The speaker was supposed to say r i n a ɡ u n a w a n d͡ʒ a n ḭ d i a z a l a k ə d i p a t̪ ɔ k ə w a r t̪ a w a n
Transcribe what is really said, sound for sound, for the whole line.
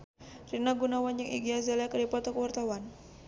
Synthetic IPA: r i n a ɡ u n a w a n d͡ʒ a ŋ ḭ ɡ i a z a l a k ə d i p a t̪ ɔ k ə w a r t̪ a w a n

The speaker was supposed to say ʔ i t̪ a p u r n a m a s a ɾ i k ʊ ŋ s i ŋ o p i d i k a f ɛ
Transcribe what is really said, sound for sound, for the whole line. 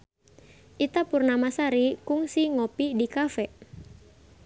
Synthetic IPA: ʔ i t̪ a p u r n a m a s a ɾ i k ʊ ŋ s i ŋ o p i d i k a f ɛ

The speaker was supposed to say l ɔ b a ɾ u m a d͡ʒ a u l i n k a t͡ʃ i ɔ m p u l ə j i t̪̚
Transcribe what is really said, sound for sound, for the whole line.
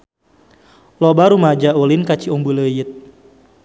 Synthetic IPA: l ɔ b a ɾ u m a d͡ʒ a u l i n k a t͡ʃ i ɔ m b u l ə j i t̪̚

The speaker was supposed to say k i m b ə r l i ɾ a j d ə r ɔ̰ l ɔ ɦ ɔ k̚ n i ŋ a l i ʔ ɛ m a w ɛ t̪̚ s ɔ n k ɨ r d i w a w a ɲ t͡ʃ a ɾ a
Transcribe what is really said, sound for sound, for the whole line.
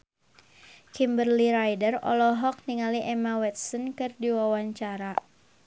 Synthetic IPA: k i m b ə r l i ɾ a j d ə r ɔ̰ l ɔ ɦ ɔ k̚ n i ŋ a l i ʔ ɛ m a w ɛ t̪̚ s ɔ n k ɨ r d i w a w a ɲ t͡ʃ a ɾ a

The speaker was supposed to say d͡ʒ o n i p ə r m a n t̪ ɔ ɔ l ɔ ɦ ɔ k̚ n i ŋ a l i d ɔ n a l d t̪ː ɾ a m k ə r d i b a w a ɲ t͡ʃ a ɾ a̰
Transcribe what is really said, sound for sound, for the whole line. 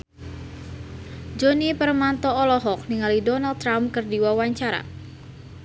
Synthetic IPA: d͡ʒ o n i p ə r m a n t̪ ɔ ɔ l ɔ ɦ ɔ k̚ n i ŋ a l i d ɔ n a l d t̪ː ɾ a m k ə r d i w a w a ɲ t͡ʃ a ɾ a̰

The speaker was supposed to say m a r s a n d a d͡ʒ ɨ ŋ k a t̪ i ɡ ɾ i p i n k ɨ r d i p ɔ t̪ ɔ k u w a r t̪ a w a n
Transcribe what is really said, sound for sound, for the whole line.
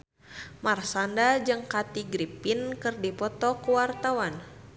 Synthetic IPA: m a r s a n d a d͡ʒ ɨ ŋ k a t̪ i ɡ ɾ i p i n k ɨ r d i p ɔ t̪ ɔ k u w a r t̪ a w a n

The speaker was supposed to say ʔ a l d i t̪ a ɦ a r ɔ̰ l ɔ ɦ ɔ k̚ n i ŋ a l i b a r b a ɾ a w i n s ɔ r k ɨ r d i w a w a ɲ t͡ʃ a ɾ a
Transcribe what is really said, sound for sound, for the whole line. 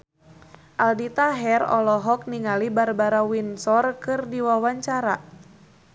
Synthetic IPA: ʔ a l d i t̪ a ɦ ɛ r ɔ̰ l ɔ ɦ ɔ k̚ n i ŋ a l i b a r b a ɾ a w i n s ɔ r k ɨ r d i w a w a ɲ t͡ʃ a ɾ a

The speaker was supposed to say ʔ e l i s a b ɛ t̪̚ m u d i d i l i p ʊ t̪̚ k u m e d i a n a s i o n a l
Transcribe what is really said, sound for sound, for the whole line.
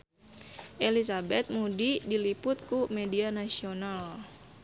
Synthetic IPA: ʔ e l i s a b ɛ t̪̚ m u d i d i l i p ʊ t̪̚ k u m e d i a n a s i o n a l

